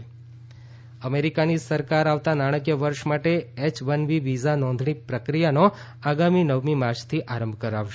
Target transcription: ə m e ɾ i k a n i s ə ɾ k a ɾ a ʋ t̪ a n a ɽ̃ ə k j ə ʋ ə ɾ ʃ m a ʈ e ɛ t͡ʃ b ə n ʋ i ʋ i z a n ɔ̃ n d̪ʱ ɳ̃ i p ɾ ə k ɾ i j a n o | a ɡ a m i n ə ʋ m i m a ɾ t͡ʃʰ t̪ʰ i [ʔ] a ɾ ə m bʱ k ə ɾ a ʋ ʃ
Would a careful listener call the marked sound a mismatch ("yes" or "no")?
no